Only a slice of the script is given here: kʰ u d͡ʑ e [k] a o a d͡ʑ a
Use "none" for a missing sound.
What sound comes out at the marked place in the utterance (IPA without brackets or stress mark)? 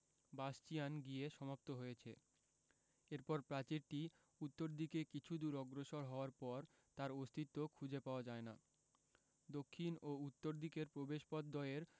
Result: p